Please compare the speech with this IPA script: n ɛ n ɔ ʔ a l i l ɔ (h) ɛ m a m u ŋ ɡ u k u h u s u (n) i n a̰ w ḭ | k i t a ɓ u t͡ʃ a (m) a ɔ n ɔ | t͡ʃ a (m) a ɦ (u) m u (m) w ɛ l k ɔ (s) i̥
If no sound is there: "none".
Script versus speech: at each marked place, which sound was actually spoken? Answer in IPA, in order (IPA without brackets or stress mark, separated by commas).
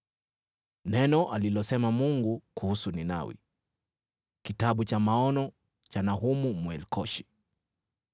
s, n, m, n, u, m, ʃ